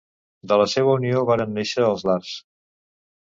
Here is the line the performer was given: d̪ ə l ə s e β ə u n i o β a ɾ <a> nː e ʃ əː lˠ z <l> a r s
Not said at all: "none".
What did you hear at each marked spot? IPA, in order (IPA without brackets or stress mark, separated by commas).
ə, l